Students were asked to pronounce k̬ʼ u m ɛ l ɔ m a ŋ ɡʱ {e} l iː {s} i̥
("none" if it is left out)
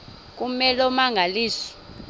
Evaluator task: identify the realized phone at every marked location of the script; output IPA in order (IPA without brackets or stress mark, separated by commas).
a, s